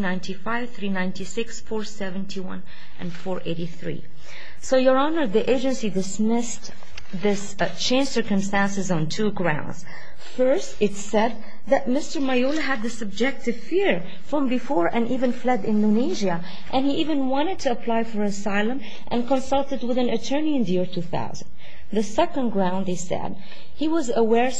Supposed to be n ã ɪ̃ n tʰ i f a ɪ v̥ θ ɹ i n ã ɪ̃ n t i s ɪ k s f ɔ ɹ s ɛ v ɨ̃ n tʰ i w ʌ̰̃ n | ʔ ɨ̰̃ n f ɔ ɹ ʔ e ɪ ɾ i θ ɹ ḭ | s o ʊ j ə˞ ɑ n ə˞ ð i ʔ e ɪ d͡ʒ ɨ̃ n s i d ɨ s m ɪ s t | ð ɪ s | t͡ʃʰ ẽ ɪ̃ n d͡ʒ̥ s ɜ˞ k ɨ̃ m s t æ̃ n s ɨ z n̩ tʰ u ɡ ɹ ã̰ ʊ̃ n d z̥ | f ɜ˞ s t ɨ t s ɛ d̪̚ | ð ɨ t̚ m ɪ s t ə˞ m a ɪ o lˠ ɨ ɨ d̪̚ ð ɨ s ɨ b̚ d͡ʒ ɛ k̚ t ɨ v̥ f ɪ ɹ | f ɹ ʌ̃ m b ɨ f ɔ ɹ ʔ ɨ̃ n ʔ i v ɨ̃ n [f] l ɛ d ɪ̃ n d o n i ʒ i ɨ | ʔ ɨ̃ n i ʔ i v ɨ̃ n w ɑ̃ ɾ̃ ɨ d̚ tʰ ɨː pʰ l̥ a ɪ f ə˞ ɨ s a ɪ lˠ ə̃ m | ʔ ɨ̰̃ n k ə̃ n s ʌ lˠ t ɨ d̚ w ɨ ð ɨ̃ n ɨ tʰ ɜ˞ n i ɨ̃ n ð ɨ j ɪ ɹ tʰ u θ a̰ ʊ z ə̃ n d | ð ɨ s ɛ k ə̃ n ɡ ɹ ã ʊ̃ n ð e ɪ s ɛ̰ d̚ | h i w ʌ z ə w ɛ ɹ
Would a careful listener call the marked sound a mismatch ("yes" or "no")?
no